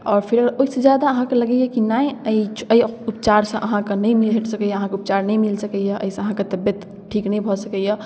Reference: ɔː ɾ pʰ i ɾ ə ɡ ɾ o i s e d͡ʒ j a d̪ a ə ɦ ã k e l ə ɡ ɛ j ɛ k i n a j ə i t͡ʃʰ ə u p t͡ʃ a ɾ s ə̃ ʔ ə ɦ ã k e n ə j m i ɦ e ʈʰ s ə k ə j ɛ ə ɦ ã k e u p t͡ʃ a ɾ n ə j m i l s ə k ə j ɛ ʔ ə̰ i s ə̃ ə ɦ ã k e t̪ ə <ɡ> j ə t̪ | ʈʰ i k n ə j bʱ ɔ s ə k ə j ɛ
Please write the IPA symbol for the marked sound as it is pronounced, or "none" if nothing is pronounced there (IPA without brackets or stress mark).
b